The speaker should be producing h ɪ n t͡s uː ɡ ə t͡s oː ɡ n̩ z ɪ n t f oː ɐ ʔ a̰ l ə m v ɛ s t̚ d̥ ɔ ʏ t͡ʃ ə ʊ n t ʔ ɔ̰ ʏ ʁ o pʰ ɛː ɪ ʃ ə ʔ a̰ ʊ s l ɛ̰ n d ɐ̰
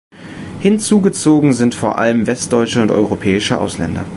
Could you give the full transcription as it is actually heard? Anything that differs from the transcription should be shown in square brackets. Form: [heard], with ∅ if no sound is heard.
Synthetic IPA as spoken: h ɪ n t͡s uː ɡ ə t͡s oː ɡ [ŋ̩] z ɪ n t f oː ɐ ʔ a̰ l ə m v ɛ s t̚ d̥ ɔ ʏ t͡ʃ ə ʊ n t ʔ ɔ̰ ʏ ʁ o pʰ ɛː ɪ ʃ ə ʔ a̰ ʊ s l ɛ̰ n d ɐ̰